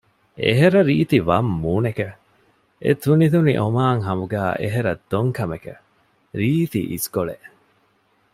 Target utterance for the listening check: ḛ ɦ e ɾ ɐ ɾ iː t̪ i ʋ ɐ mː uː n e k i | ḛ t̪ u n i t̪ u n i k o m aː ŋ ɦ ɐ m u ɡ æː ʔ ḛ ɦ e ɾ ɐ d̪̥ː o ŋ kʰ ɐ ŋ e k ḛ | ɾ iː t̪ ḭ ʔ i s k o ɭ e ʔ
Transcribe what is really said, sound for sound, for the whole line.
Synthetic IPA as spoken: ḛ ɦ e ɾ ɐ ɾ iː t̪ i ʋ ɐ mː uː n e k e | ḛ t̪ u n i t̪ u n i ʔ o m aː ŋ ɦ ɐ m u ɡ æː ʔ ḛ ɦ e ɾ ɐ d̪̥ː o ŋ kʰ ɐ m e k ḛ | ɾ iː t̪ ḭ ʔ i s k o ɭ e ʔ